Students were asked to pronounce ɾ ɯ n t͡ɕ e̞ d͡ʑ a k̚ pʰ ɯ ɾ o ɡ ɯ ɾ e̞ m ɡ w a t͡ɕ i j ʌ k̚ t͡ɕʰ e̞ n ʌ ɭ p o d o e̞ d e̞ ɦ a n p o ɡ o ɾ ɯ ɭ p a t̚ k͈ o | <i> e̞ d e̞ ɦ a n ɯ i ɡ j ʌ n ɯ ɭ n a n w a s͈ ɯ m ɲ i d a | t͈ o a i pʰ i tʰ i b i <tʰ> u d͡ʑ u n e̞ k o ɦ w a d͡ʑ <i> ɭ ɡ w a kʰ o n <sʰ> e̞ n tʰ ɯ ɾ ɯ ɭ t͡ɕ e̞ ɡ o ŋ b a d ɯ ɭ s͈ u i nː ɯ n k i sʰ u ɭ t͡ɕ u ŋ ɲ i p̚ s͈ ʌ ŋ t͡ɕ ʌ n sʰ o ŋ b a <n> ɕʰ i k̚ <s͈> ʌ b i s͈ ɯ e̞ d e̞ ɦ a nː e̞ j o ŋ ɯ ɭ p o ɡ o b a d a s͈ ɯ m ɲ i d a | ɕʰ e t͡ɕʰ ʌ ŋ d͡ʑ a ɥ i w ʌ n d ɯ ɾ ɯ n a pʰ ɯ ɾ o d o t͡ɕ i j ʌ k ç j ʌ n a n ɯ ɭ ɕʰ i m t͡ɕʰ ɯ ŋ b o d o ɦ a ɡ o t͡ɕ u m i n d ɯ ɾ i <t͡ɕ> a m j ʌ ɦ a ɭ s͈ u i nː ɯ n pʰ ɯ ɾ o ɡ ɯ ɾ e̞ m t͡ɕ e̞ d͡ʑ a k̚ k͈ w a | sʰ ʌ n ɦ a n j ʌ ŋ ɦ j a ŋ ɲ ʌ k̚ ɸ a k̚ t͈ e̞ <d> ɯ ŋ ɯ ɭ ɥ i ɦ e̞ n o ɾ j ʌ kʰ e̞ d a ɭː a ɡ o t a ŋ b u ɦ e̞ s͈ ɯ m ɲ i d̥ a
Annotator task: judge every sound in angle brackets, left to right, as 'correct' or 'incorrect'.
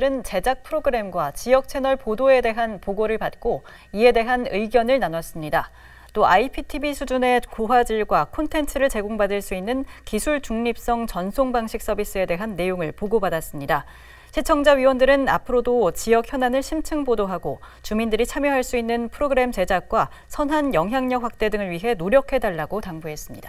correct, incorrect: sʰ, correct, incorrect: tʰ, incorrect: ŋ, correct, incorrect: t͡ɕʰ, correct

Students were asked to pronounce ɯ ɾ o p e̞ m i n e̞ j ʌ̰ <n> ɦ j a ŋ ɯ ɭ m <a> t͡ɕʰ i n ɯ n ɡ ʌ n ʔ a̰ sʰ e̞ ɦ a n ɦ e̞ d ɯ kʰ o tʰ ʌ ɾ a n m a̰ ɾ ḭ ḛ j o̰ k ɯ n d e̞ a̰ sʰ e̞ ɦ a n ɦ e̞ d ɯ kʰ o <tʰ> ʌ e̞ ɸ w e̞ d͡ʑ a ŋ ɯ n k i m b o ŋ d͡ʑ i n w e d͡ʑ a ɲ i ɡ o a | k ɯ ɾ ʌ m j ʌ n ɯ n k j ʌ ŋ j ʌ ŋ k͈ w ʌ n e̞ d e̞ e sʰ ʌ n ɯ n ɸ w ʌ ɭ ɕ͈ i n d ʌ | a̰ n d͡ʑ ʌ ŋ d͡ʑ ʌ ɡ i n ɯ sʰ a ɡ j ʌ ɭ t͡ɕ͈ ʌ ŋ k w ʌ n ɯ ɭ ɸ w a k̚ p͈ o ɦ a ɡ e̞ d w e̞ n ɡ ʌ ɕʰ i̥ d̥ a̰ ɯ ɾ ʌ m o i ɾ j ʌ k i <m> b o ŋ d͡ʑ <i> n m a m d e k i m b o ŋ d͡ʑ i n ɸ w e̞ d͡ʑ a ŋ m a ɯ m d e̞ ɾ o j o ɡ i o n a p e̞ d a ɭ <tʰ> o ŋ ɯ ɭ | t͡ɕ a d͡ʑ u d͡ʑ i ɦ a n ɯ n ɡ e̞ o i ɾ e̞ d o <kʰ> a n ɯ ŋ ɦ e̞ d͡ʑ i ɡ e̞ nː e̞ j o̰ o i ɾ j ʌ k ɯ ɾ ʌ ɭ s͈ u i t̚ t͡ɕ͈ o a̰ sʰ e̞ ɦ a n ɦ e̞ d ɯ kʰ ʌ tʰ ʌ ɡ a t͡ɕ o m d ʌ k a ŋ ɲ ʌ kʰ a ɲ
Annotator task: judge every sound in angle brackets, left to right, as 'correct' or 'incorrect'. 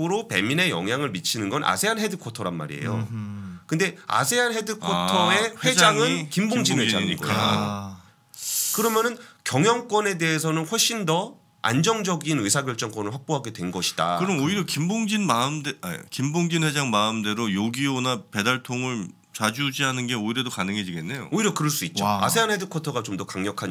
incorrect: ŋ, incorrect: i, correct, correct, correct, correct, incorrect: k

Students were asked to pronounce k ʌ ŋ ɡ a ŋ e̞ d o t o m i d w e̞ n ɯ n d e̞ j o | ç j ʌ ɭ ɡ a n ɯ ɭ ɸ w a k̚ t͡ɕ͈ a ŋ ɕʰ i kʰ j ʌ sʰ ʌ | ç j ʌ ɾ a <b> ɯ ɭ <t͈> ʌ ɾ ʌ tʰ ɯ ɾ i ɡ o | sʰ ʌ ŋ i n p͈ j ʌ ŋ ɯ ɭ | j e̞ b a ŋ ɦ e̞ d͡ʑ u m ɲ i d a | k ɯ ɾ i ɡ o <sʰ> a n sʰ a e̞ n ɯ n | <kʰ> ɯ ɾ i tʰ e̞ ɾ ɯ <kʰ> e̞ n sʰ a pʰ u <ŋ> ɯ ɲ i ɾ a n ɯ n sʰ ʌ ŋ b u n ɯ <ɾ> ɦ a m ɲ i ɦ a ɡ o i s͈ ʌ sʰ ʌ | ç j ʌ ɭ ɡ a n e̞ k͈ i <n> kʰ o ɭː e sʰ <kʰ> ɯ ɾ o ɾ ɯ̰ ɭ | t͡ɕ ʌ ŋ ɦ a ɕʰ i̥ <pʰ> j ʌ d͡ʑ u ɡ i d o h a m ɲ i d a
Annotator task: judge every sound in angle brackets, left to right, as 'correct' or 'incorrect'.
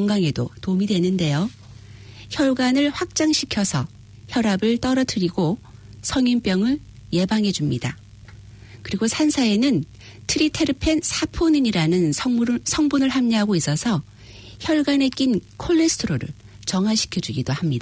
correct, correct, correct, incorrect: tʰ, incorrect: pʰ, incorrect: n, incorrect: ɭ, correct, incorrect: tʰ, incorrect: kʰ

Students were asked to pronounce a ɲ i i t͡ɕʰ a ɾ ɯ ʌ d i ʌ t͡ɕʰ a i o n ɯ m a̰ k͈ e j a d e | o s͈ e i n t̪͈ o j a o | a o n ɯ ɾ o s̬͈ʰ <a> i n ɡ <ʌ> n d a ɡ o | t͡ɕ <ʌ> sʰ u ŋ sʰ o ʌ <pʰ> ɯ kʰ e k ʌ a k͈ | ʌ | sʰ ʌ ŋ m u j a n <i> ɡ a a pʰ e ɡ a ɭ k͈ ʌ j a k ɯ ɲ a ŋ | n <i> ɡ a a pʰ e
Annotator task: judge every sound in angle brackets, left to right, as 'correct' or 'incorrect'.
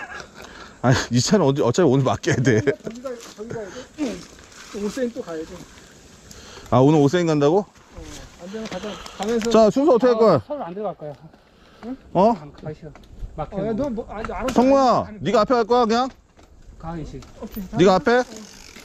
incorrect: e, incorrect: a, incorrect: a, incorrect: tʰ, correct, correct

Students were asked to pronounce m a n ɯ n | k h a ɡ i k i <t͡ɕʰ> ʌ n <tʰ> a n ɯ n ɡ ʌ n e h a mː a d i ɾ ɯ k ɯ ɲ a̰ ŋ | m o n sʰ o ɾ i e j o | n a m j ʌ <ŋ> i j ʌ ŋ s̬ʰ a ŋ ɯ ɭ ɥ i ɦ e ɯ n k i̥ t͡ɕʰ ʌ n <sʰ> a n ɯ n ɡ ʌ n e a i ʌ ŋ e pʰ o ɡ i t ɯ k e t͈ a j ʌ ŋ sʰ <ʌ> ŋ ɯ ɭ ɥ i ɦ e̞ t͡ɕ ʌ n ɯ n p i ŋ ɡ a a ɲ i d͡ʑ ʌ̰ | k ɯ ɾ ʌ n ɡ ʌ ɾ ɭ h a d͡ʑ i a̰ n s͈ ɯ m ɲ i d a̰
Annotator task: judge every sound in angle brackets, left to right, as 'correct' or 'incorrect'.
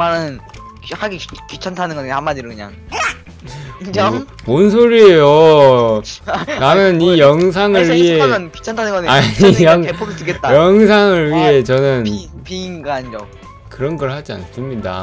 correct, correct, incorrect: n, incorrect: tʰ, incorrect: a

